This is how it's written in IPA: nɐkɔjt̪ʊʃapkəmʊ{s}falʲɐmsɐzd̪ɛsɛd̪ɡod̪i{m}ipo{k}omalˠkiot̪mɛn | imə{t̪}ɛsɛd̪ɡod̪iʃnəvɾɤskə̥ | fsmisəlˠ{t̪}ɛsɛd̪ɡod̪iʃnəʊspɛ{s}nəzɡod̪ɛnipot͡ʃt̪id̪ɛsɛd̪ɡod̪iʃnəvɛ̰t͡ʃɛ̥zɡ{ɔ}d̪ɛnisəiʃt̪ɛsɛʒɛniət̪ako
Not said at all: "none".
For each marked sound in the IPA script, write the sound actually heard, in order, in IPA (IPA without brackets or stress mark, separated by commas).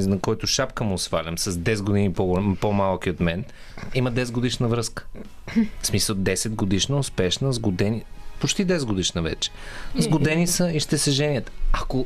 s, n, p, d̪, d̪, ʃ, o